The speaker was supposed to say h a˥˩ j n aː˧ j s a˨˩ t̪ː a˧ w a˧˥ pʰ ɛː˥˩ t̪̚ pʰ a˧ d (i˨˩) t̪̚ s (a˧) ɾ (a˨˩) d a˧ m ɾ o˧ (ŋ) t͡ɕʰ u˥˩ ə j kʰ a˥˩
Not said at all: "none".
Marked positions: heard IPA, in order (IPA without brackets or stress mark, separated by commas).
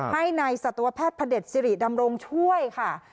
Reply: e˨˩, i˧, i˨˩, ŋ